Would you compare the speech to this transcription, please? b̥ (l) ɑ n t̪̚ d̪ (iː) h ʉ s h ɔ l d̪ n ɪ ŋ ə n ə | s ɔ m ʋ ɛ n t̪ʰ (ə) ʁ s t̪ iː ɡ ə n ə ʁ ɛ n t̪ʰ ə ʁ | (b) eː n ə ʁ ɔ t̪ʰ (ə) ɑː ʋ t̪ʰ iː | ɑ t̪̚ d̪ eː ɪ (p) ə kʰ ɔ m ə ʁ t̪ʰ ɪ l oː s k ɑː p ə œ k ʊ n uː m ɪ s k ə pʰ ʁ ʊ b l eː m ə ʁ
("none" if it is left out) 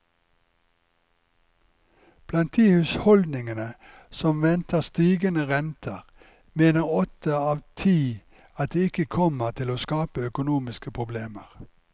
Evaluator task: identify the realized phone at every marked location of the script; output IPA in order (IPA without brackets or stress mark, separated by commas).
l, iː, ə, m, ə, k